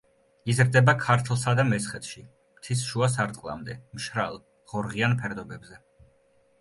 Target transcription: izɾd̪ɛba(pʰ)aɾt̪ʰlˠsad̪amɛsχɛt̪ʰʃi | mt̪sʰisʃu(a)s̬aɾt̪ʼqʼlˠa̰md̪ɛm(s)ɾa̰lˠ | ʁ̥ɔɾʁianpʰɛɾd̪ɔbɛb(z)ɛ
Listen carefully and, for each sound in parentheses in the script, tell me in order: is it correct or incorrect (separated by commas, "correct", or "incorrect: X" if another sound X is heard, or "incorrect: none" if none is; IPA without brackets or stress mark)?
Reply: incorrect: kʰ, correct, incorrect: ʃ, correct